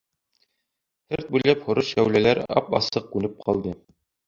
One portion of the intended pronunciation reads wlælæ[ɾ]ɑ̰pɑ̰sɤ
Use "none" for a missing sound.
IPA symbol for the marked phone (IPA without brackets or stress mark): ɾ